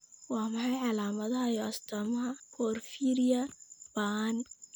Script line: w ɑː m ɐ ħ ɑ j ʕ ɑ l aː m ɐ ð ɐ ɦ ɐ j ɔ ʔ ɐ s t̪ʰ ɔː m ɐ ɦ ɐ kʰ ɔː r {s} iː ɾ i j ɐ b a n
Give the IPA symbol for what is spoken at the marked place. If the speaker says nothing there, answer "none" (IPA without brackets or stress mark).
f